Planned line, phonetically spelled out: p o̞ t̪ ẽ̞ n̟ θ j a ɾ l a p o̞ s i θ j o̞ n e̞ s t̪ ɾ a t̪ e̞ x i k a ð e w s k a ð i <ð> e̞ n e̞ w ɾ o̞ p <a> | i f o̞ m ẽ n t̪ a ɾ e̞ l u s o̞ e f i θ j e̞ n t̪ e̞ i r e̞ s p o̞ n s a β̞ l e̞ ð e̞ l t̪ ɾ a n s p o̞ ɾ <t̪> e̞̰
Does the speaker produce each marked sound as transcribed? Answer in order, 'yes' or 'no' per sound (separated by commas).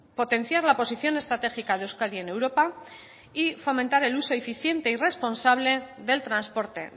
no, yes, yes